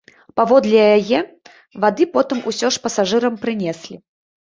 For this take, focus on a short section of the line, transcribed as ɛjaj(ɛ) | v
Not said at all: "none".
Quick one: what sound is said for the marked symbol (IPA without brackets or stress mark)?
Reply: ɛ